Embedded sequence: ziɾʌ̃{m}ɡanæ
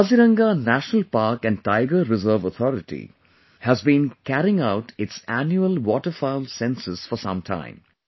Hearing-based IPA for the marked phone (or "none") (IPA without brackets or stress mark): ŋ